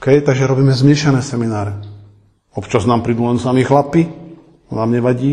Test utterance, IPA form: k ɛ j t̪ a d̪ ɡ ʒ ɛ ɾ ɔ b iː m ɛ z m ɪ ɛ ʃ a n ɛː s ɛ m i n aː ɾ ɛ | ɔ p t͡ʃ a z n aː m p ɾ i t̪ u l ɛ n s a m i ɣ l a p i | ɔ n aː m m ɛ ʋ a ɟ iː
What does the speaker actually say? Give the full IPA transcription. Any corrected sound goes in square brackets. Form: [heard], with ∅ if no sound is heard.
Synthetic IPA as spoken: k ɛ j t̪ a [∅] ɡ ʒ ɛ ɾ ɔ b iː m ɛ z m ɪ ɛ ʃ a n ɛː s ɛ m i n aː ɾ ɛ | ɔ p t͡ʃ a z n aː m p ɾ i [d̪] u l ɛ n s a m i [x] l a p i | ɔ n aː m [ɲ] ɛ ʋ a ɟ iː